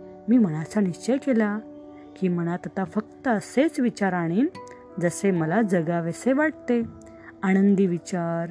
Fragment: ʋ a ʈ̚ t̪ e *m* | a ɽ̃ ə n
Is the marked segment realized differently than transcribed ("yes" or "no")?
yes